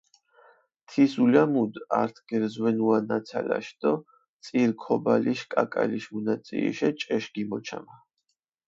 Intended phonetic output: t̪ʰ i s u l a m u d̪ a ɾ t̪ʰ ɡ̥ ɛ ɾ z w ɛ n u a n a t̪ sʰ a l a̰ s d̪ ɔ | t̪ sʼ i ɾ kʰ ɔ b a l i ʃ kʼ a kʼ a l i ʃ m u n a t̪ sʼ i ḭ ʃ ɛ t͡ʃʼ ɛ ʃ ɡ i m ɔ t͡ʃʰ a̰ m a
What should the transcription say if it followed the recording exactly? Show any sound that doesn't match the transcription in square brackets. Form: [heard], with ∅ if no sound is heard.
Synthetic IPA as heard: t̪ʰ i s u l a m u d̪ a ɾ t̪ʰ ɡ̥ ɛ ɾ z w ɛ n u a n a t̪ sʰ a l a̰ [ʃ] d̪ ɔ | t̪ sʼ i ɾ kʰ ɔ b a l i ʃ kʼ a kʼ a l i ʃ m u n a t̪ sʼ i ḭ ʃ ɛ t͡ʃʼ ɛ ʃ ɡ i m ɔ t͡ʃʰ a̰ m a